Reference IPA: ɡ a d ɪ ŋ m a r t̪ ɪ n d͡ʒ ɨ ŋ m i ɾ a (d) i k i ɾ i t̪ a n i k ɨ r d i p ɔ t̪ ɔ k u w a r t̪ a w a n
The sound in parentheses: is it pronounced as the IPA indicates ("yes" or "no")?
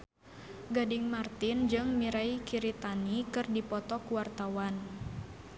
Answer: no